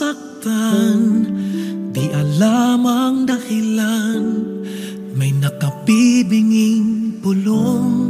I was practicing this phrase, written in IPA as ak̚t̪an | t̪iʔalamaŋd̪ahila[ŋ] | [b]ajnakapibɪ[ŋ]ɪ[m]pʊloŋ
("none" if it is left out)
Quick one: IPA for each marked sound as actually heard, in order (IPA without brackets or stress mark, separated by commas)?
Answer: n, m, ŋ, ŋ